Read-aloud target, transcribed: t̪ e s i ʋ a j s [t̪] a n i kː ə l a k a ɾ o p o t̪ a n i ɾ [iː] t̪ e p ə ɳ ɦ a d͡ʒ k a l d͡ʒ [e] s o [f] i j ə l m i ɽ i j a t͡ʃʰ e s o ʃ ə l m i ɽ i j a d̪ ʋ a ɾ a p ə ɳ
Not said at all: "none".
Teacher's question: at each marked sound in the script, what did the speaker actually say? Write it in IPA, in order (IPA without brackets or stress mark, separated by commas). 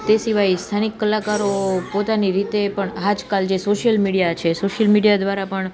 t̪ʰ, i, e, ʃ